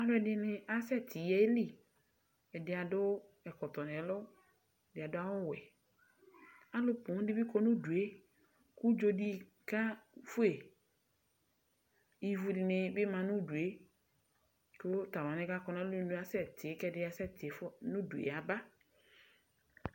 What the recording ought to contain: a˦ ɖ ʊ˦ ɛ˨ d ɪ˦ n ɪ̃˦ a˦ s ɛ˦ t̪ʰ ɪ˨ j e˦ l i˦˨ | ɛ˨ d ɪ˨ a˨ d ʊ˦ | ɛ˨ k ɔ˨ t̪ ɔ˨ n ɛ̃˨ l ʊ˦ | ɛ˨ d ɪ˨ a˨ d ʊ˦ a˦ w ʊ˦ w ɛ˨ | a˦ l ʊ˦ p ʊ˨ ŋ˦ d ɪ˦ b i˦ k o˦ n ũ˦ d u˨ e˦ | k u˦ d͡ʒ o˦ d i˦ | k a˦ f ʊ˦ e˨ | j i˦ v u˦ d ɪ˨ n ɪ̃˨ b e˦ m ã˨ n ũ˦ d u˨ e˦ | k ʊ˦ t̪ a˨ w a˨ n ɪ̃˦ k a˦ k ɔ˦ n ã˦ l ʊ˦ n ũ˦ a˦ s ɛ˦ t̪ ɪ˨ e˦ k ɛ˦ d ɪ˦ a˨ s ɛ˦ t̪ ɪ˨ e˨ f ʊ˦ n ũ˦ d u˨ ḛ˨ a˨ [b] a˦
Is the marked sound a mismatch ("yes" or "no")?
no